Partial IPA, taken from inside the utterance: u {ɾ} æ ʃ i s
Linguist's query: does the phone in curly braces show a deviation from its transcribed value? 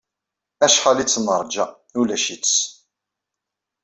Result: yes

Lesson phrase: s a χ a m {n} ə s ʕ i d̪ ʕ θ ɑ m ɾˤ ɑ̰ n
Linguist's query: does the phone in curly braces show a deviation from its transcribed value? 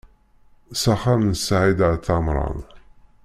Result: no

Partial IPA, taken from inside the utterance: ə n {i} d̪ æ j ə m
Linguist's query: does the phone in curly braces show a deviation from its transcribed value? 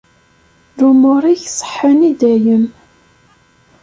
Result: no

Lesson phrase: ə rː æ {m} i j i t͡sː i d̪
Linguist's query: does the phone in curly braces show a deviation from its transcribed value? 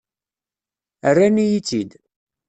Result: yes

